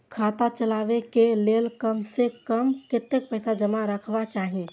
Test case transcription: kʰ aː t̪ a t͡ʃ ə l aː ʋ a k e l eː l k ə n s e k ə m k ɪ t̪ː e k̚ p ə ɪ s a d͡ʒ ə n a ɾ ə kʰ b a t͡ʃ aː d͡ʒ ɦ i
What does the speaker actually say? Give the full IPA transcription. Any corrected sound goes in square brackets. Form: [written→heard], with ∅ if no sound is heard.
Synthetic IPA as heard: kʰ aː t̪ a t͡ʃ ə l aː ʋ [a→e] k e l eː l k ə [n→m] s e k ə m k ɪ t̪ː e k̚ p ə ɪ s a d͡ʒ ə [n→m] a ɾ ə kʰ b a t͡ʃ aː [d͡ʒ→∅] ɦ i